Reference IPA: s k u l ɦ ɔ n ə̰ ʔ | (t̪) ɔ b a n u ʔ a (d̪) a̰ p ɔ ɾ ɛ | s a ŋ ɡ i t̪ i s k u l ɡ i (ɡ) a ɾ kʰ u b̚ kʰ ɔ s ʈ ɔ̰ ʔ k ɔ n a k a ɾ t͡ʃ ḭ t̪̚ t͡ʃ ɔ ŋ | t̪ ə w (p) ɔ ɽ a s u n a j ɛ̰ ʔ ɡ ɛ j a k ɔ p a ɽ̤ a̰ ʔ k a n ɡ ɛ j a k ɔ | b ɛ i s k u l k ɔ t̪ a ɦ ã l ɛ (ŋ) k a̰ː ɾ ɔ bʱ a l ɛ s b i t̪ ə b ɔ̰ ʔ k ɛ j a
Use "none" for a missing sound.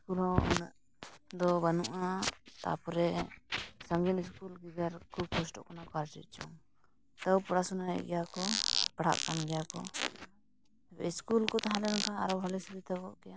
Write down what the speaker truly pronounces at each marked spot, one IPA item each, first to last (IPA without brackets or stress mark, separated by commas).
d̪, t̪, ɡ, p, n